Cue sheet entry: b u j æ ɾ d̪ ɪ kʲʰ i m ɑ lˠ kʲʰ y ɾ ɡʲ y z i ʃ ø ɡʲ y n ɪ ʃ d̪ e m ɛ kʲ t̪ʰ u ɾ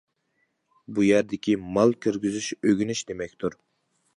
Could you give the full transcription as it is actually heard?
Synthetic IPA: b u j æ ɾ d̪ ɪ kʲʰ i m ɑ lˠ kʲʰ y ɾ ɡʲ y z y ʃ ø ɡʲ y n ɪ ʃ d̪ e m ɛ kʲ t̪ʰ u ɾ